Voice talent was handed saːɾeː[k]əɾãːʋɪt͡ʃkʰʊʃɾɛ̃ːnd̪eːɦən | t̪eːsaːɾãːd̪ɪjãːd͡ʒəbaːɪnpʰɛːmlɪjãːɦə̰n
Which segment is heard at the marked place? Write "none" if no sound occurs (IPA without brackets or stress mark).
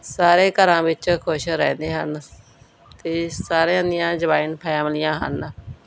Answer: k